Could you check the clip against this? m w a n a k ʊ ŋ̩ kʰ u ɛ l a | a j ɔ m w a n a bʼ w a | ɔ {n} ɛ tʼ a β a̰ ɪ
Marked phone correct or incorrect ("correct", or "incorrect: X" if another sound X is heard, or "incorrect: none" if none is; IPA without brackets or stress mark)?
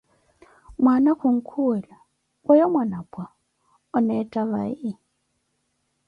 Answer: correct